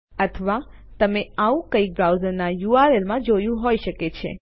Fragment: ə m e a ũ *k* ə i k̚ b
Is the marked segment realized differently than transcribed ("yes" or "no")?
no